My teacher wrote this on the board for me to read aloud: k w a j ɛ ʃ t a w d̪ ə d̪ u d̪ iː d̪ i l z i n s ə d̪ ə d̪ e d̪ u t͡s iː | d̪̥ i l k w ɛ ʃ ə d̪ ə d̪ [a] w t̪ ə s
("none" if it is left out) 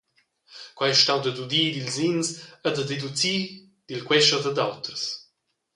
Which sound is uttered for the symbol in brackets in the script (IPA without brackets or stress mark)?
a